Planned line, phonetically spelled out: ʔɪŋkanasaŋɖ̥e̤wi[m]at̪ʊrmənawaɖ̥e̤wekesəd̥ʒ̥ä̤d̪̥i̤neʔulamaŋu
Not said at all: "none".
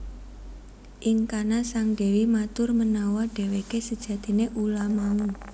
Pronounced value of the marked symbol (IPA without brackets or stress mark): m